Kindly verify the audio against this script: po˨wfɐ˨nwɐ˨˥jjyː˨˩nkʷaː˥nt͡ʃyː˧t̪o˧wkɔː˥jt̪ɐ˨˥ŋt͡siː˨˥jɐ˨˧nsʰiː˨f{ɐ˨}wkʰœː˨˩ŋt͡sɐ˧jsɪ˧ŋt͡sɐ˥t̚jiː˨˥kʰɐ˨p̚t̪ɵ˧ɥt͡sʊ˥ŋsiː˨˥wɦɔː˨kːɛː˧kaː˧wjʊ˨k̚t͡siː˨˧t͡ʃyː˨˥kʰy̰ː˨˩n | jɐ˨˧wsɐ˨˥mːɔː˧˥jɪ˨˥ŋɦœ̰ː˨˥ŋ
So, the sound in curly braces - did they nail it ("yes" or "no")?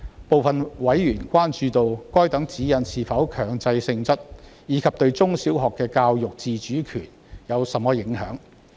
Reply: no